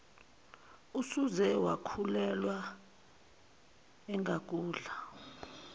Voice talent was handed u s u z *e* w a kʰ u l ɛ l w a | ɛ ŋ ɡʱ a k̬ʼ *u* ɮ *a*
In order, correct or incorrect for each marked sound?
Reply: incorrect: ɛ, incorrect: uː, correct

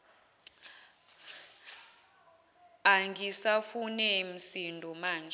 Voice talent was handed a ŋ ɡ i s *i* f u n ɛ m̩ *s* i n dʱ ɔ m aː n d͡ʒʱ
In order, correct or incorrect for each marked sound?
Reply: incorrect: a, correct

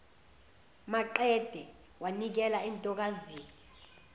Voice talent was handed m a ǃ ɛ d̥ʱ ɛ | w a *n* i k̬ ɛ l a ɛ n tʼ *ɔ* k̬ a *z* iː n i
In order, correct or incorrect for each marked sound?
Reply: correct, correct, correct

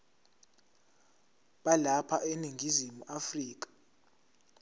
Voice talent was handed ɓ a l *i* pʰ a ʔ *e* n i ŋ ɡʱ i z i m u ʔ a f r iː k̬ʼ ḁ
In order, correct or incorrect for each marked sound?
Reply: incorrect: a, correct

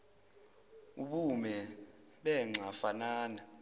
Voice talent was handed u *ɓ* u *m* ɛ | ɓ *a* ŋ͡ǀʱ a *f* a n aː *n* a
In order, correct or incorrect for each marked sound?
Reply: correct, correct, incorrect: ɛ, correct, correct

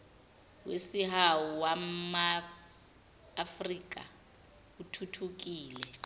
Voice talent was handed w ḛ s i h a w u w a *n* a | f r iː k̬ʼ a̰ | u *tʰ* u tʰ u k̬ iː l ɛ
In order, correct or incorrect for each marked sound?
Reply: incorrect: m, correct

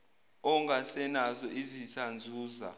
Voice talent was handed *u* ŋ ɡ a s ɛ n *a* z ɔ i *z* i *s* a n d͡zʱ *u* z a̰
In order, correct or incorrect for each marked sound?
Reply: incorrect: ɔ, correct, correct, correct, incorrect: uː

